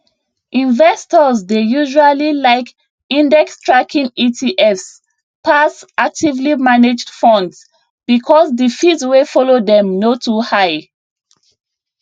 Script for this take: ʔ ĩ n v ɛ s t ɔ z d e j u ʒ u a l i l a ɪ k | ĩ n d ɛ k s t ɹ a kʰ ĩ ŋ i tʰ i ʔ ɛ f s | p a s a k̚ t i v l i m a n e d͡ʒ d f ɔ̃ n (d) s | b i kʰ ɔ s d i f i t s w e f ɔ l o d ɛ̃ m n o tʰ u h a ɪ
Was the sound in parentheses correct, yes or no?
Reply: yes